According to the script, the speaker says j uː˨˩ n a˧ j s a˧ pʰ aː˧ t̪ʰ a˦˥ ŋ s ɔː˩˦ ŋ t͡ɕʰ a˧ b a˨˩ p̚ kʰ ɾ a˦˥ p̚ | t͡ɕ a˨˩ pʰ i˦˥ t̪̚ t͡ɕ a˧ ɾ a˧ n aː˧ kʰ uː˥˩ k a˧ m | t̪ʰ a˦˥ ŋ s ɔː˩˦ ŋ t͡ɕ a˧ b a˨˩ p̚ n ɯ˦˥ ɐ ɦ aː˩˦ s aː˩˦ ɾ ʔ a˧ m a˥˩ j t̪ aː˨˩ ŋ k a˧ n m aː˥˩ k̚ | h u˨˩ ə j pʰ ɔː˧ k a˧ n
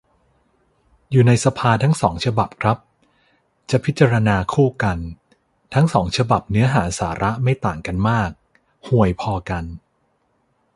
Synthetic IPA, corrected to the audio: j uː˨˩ n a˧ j s a˧ pʰ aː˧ t̪ʰ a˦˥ ŋ s ɔː˩˦ ŋ t͡ɕʰ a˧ b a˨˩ p̚ kʰ ɾ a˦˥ p̚ | t͡ɕ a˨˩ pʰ i˦˥ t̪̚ t͡ɕ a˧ ɾ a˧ n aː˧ kʰ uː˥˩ k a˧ n | t̪ʰ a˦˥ ŋ s ɔː˩˦ ŋ t͡ɕʰ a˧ b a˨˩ p̚ n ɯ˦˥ ɐ ɦ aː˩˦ s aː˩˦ ɾ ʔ a˦˥ m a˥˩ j t̪ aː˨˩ ŋ k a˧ n m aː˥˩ k̚ | h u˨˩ ə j pʰ ɔː˧ k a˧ n